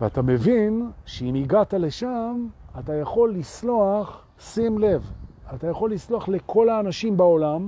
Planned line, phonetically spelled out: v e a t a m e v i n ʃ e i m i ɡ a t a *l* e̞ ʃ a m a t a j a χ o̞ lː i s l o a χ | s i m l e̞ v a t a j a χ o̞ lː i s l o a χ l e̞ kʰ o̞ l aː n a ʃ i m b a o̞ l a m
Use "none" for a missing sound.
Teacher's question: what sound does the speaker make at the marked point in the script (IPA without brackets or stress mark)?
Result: l